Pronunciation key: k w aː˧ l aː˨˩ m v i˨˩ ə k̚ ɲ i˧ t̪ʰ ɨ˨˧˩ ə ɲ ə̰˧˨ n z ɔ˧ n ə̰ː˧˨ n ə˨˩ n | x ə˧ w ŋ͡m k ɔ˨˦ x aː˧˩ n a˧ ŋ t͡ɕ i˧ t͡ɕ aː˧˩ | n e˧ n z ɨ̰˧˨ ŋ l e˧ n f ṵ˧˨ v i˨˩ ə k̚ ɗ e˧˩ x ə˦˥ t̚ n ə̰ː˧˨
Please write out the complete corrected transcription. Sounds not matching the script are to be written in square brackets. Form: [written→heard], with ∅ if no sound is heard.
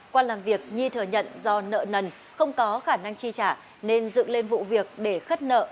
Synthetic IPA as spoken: k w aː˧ l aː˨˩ m v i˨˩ ə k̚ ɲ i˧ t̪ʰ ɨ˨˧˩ ə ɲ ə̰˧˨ n z ɔ˧ n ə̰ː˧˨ n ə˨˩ n | x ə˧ w ŋ͡m k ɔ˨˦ x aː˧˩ n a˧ ŋ t͡ɕ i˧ t͡ɕ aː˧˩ | n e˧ n z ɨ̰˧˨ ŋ l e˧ n [f→v] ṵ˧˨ v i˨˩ ə k̚ ɗ e˧˩ x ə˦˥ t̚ n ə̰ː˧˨